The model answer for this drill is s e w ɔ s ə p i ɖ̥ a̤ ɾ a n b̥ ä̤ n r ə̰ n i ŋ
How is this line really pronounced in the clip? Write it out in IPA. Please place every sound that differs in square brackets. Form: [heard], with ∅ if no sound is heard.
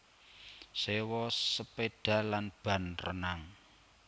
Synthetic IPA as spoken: s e w ɔ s ə p [e] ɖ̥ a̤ [l] a n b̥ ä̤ n r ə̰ n [a] ŋ